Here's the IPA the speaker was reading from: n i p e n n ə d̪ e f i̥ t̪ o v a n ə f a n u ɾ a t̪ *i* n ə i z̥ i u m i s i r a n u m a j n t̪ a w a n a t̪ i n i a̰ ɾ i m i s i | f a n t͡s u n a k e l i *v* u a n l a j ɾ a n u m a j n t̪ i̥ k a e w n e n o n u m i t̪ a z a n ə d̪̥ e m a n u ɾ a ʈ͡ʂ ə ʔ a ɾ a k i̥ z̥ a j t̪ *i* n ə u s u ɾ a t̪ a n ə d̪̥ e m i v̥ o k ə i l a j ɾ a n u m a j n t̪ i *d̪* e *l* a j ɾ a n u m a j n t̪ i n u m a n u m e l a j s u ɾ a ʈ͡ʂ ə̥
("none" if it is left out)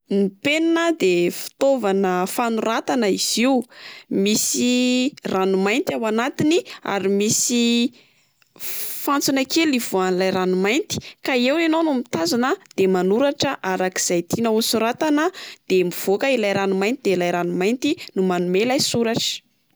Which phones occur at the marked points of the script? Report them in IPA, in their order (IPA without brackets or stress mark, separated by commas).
a, v, i, d̪, l